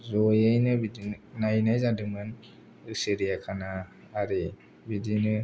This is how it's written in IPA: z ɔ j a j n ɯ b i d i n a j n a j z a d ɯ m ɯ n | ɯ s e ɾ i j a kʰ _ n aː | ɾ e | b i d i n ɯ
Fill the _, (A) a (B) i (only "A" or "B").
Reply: A